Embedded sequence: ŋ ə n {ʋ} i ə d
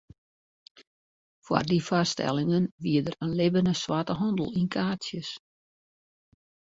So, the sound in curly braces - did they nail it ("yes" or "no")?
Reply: yes